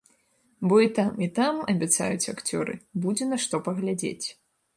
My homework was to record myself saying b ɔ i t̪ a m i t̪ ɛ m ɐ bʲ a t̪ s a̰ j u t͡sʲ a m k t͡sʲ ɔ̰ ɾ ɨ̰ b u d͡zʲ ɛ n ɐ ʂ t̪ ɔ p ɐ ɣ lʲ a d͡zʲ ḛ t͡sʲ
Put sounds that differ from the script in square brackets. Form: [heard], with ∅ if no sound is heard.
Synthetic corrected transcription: b ɔ i t̪ a m i t̪ [a] m ɐ bʲ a t̪ s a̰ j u t͡sʲ a [∅] k t͡sʲ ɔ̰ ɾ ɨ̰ b u d͡zʲ ɛ n ɐ ʂ t̪ ɔ p ɐ ɣ lʲ a d͡zʲ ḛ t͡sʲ